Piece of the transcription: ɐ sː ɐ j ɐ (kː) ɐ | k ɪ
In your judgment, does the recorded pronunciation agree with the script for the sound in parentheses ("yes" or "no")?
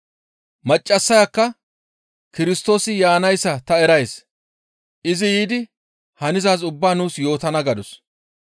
yes